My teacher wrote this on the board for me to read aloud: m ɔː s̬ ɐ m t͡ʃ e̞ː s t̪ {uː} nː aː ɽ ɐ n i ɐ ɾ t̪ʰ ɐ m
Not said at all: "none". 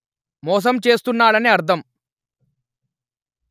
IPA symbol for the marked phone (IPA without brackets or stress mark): u